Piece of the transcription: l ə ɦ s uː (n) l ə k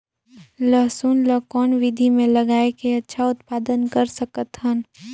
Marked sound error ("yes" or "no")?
no